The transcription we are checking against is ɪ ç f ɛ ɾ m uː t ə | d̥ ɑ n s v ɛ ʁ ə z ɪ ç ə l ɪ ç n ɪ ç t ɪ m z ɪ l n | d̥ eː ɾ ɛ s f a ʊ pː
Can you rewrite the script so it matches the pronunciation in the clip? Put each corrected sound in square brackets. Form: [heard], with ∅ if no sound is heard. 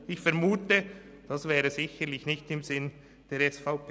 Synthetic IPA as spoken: ɪ ç f ɛ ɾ m uː t ə | d̥ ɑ [∅] s v [ɛː] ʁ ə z ɪ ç ə l ɪ ç n ɪ ç t ɪ m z ɪ [∅] n | d̥ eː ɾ ɛ s f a ʊ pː